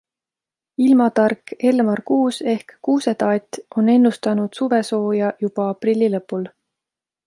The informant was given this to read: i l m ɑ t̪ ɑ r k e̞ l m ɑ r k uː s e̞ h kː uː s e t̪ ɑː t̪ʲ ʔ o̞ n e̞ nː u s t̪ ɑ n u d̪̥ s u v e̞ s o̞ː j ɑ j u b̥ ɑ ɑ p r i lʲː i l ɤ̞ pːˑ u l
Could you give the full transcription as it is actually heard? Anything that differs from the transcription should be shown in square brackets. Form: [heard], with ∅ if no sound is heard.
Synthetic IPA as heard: i l m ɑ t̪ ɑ r k e̞ l m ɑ r k uː s e̞ h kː uː s e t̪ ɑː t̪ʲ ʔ o̞ n e̞ nː u s t̪ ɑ n u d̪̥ s u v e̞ s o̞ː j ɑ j u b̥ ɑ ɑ p r i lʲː i l ɤ̞ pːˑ u l